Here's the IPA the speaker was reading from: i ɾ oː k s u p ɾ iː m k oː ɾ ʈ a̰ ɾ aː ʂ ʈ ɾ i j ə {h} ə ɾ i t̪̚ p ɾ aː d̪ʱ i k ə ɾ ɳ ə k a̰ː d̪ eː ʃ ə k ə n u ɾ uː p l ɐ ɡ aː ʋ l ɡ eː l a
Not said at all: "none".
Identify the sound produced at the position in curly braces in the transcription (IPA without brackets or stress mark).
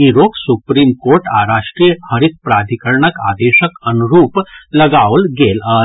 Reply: h